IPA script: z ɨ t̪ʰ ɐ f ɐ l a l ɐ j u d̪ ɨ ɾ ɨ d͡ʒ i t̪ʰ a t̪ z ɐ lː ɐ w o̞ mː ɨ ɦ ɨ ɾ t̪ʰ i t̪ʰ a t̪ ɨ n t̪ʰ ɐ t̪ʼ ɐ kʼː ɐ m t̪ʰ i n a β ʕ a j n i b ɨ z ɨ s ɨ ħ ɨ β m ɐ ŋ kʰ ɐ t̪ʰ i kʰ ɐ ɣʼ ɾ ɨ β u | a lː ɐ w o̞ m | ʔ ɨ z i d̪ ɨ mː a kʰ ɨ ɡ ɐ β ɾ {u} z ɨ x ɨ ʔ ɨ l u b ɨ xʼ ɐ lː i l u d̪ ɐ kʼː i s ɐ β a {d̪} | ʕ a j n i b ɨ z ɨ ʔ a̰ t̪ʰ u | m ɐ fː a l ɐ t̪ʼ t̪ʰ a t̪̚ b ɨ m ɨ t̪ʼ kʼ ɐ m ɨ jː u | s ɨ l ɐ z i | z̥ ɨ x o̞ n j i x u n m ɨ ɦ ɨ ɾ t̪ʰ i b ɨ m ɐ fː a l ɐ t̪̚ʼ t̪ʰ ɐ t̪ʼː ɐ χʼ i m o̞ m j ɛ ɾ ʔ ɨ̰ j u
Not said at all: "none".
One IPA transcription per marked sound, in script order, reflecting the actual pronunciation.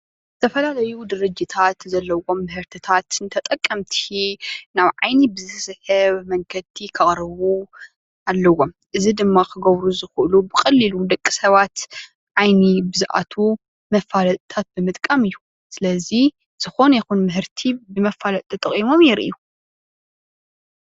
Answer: u, t̪

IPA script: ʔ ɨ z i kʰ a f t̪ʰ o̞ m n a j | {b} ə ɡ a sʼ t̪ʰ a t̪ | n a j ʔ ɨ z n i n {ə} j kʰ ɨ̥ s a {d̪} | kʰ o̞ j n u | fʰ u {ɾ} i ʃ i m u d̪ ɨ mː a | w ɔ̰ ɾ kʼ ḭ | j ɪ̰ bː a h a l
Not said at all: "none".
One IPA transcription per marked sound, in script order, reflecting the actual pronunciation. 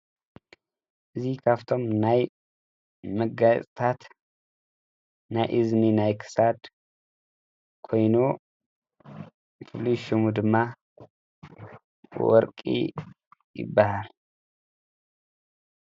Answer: m, a, d̪, l

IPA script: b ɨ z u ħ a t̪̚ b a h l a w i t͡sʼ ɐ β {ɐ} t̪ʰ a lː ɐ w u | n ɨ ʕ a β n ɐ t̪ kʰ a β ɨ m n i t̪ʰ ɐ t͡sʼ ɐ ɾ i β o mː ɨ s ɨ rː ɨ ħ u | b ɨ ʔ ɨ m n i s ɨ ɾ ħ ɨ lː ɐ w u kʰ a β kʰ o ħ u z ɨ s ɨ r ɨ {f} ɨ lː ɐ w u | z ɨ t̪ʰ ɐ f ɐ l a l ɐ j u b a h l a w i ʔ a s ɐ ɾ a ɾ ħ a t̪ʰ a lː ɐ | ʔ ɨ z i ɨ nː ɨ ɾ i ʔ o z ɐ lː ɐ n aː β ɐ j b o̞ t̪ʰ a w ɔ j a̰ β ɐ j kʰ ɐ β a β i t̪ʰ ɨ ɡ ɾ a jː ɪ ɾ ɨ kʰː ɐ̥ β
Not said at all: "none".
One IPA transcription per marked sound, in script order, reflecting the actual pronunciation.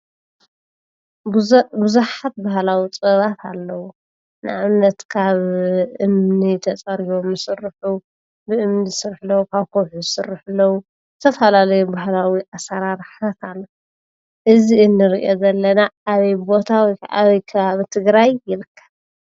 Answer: a, ħ

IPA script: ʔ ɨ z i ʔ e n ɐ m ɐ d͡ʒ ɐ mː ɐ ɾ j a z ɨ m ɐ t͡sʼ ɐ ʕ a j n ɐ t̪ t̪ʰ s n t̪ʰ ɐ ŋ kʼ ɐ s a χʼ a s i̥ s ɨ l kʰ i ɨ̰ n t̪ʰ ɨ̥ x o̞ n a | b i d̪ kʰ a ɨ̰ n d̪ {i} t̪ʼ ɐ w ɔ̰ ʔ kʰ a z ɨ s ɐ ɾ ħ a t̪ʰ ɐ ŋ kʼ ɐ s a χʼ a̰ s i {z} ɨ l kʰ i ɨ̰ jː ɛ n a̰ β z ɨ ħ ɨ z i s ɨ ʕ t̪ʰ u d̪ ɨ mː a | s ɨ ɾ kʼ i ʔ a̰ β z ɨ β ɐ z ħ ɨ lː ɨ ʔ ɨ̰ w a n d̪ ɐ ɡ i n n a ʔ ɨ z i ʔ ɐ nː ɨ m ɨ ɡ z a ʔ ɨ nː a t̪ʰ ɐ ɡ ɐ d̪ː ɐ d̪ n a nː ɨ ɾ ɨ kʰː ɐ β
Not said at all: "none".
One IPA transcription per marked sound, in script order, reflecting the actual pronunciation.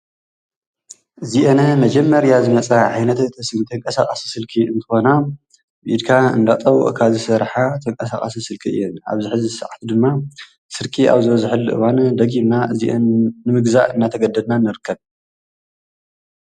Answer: a, s

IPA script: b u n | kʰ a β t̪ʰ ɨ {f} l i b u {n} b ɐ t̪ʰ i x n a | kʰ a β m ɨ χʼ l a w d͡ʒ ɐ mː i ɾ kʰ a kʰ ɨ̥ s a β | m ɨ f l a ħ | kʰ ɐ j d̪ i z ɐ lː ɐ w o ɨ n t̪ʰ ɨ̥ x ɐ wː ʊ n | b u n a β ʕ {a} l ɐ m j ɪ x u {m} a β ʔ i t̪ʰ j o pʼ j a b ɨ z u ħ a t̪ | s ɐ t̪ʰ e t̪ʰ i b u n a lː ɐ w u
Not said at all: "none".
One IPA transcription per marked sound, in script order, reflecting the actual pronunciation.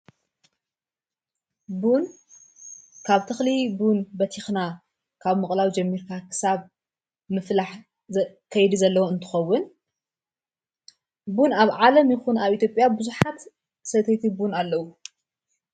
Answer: x, n, a, n

